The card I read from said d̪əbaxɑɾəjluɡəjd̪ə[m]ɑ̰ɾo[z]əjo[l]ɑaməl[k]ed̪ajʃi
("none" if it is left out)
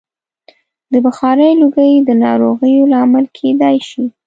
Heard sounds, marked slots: n, ɣ, l, kʰ

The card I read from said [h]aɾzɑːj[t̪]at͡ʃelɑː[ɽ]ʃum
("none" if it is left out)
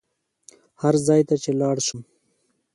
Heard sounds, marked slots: h, t̪, ɽ

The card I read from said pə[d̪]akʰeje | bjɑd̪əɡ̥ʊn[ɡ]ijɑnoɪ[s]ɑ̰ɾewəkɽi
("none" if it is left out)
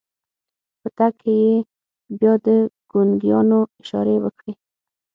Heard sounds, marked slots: t̪, ɡ, ʃ

